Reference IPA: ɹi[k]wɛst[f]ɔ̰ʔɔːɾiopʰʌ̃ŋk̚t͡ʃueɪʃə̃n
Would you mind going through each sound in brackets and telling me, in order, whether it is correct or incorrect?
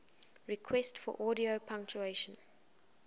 incorrect, correct

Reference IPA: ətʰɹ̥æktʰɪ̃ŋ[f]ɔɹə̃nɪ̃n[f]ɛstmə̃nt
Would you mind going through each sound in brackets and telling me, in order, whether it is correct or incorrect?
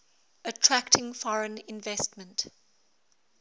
correct, incorrect

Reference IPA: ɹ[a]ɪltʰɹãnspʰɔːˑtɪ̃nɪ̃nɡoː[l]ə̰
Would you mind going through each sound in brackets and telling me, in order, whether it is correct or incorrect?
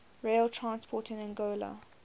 incorrect, correct

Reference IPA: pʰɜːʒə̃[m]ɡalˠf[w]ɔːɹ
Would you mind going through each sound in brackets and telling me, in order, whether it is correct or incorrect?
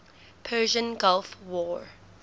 incorrect, correct

